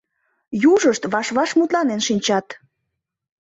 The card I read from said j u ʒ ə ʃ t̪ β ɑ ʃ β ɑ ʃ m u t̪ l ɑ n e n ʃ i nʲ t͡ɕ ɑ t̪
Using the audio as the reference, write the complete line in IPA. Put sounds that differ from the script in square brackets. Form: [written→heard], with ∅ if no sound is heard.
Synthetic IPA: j u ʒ ə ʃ t̪ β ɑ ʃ β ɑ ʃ m u t̪ l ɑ n e n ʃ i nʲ t͡ɕ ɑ t̪